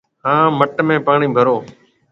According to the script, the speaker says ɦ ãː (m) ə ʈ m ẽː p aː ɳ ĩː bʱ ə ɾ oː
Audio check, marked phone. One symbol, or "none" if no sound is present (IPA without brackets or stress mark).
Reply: m